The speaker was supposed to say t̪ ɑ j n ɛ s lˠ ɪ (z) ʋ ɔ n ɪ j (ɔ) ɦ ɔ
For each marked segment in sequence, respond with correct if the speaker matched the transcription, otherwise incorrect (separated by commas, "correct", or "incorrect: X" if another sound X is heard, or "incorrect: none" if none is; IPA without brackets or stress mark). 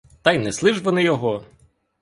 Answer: incorrect: ʒ, correct